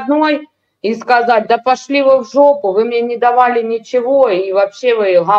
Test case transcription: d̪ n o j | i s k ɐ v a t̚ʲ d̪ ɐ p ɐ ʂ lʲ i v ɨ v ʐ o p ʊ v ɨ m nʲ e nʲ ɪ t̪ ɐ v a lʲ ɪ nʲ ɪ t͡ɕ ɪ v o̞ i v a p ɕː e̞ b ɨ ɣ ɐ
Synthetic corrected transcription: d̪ n o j | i s k ɐ z a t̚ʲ d̪ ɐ p ɐ ʂ lʲ i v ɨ v ʐ o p ʊ v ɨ m nʲ e nʲ ɪ d̪ ɐ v a lʲ ɪ nʲ ɪ t͡ɕ ɪ v o̞ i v ɐ p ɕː e̞ v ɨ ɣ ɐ